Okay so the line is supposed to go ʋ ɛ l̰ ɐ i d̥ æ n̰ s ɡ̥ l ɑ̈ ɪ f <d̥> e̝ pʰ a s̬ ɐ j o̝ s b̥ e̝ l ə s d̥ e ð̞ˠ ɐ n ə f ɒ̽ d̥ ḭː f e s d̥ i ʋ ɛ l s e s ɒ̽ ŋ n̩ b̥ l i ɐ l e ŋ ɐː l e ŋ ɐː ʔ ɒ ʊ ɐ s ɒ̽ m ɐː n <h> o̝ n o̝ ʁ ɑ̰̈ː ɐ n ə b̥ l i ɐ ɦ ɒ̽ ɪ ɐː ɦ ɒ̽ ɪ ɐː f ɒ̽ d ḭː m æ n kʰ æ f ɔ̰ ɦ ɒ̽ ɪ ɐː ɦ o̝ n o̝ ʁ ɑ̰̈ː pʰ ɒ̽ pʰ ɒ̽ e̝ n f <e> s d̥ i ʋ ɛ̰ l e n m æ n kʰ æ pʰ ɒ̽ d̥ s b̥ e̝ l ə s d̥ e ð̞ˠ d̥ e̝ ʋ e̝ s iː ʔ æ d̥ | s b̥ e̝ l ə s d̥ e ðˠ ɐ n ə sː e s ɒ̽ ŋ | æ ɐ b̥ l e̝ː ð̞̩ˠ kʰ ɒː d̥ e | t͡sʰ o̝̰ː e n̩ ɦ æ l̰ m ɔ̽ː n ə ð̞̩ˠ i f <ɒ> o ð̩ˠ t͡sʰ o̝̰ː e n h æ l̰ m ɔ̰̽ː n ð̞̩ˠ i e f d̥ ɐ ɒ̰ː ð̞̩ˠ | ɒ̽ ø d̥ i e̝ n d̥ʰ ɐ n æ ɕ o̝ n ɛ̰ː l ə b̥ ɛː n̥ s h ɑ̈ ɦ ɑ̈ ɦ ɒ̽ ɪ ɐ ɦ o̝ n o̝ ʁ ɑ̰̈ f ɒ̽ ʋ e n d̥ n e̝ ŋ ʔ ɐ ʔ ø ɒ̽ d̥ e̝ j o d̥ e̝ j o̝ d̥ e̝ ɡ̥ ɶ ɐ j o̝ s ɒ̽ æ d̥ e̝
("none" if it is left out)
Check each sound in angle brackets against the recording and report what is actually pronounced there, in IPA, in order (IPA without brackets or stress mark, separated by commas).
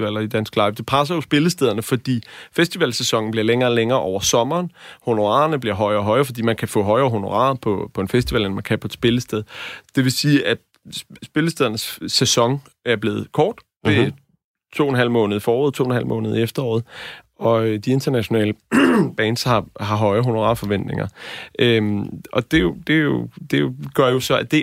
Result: d̥, h, e, ɒː